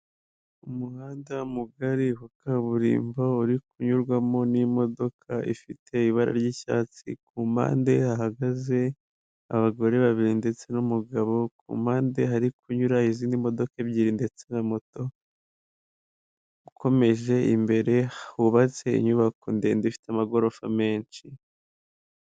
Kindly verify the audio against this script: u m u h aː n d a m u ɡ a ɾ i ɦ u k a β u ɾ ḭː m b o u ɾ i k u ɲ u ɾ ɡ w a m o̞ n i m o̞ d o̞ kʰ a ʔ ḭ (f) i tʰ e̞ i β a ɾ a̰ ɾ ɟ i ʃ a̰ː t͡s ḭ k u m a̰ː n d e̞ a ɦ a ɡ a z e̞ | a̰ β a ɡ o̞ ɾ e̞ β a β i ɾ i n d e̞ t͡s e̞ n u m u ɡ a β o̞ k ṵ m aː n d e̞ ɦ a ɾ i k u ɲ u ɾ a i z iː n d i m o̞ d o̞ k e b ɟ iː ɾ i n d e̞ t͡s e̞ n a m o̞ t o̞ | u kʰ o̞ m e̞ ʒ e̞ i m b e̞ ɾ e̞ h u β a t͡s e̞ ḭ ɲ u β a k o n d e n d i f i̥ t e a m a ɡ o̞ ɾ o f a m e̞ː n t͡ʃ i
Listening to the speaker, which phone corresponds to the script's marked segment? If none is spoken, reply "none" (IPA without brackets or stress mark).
f